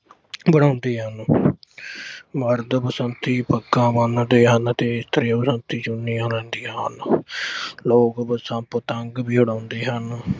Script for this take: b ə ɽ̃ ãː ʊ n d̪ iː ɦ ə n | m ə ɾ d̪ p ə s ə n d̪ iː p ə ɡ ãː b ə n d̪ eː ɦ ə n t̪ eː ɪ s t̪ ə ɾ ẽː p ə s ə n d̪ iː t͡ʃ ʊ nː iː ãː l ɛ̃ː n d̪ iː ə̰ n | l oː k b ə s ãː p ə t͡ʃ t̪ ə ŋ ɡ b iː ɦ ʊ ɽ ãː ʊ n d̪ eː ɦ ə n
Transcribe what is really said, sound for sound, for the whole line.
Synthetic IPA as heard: b ə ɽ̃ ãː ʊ n d̪ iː ɦ ə n | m ə ɾ d̪ p ə s ə n t̪ iː p ə ɡ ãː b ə n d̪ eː ɦ ə n t̪ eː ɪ s t̪ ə ɾ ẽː p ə s ə n t̪ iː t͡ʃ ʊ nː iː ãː l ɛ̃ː n d̪ iː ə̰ n | l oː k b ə s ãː p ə t̪ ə ŋ ɡ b iː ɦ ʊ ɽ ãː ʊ n d̪ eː ɦ ə n